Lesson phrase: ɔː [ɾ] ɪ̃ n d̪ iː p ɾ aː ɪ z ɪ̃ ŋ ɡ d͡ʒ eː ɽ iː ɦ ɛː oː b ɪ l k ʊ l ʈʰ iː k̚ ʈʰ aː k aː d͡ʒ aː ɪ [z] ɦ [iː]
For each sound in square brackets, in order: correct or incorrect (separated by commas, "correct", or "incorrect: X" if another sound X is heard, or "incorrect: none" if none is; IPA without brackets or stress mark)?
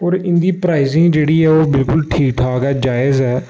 correct, correct, incorrect: ɛː